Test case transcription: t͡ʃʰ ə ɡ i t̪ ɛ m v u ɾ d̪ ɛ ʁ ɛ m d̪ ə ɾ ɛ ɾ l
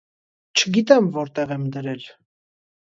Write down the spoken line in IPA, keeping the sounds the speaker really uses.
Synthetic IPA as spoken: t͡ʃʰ ə ɡ i t̪ ɛ m v ɔ ɾ t̪ ɛ ʁ ɛ m d̪ ə ɾ ɛ l